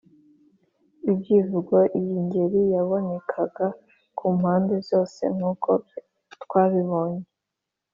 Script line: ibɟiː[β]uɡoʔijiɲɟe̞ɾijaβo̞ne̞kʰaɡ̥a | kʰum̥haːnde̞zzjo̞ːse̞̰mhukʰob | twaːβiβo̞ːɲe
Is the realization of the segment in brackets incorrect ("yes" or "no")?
yes